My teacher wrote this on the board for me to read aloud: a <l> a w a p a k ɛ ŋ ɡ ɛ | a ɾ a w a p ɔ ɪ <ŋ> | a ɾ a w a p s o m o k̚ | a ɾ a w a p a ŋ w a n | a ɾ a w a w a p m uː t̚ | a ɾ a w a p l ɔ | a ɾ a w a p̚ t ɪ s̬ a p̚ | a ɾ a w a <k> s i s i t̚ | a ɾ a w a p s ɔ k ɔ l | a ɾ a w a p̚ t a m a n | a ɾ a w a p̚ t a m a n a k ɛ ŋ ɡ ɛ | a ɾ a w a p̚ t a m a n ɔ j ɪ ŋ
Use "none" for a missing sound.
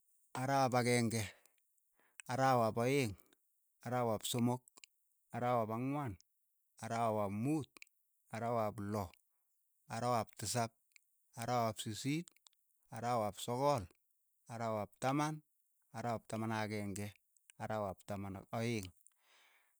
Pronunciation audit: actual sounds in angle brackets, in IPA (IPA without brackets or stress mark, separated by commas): ɾ, ŋ, p